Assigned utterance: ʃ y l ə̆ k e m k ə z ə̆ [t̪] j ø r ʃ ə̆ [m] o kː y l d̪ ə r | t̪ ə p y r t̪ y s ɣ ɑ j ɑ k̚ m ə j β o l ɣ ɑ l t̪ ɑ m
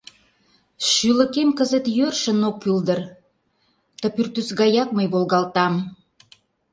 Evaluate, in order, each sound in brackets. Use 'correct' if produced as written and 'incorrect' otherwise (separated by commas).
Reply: correct, incorrect